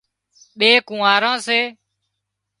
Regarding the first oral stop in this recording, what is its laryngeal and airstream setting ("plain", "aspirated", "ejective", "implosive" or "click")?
implosive